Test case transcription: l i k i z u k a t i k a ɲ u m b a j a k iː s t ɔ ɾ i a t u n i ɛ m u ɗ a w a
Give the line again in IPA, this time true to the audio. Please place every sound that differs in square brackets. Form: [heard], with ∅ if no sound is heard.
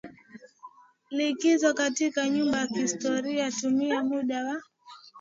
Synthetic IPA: l i k i z [ɔ] k a t i k a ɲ u m b a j a k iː s t ɔ ɾ i a t u [m] i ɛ m u ɗ a w a